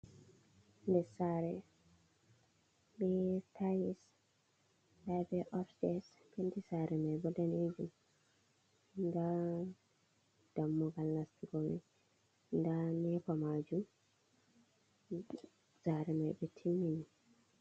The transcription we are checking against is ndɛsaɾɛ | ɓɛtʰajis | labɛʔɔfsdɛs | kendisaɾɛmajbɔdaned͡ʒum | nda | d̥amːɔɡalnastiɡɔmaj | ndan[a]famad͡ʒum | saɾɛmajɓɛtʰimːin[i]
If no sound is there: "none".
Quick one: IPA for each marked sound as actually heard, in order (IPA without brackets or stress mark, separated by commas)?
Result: ɛ, i